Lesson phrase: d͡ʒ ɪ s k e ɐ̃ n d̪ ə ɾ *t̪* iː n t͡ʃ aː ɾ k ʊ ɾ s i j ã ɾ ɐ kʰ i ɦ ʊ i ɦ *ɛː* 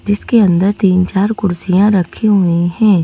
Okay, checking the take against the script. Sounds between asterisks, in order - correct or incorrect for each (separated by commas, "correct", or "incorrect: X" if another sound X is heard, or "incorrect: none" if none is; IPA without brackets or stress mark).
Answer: correct, incorrect: ɛ̃ː